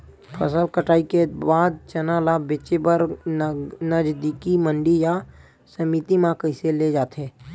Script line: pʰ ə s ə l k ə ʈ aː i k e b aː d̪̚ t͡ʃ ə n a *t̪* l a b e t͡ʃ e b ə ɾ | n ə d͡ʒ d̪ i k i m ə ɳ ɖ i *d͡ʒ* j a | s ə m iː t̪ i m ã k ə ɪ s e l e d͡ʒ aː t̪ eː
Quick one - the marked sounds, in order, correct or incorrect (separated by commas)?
incorrect, incorrect